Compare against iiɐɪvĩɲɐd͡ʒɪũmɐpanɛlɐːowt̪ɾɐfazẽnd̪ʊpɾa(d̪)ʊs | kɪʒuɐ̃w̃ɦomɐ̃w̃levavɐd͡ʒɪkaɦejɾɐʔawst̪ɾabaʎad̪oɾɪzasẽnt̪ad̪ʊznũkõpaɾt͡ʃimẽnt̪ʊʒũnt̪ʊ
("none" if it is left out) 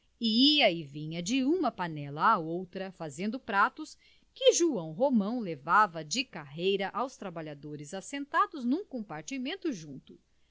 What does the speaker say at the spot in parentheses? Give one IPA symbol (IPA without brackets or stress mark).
t̪